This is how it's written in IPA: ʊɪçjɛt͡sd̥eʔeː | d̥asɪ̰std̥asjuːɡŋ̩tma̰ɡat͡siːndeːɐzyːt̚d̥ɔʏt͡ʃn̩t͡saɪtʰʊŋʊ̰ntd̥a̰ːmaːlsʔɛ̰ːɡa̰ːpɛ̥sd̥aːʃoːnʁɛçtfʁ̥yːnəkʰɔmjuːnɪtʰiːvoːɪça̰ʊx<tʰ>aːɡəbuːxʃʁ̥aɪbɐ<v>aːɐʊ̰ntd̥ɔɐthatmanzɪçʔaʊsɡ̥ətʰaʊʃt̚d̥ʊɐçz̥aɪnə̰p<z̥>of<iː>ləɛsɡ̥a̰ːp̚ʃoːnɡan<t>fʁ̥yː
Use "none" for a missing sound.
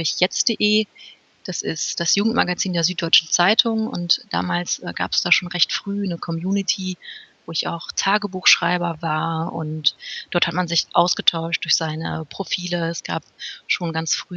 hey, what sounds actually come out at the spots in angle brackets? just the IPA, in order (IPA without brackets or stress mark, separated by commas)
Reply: tʰ, v, ʁ̥, iː, t͡s